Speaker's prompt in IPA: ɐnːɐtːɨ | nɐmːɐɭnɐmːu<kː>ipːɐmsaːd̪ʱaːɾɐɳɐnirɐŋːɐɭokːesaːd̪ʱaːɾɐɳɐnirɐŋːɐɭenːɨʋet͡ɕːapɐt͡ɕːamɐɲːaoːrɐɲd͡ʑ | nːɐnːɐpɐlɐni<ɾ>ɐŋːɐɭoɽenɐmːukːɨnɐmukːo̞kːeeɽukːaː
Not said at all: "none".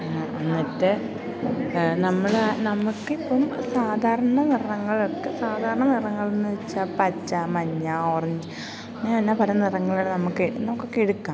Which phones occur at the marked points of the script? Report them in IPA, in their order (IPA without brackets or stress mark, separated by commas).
kː, r